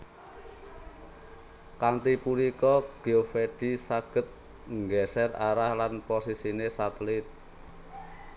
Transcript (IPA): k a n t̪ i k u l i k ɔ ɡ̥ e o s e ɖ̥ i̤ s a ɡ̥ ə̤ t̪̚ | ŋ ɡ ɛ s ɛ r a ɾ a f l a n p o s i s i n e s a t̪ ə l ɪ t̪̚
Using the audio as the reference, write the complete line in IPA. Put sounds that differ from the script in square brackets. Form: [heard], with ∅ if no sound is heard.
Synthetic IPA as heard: k a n t̪ i [p] u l i k ɔ ɡ̥ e o [f] e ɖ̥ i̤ s a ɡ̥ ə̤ t̪̚ | ŋ ɡ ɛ s ɛ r a ɾ a [h] l a n p o s i s i n e s a t̪ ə l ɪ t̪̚